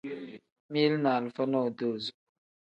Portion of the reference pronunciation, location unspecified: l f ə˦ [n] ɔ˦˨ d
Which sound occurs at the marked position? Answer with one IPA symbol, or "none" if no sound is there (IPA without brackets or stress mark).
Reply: n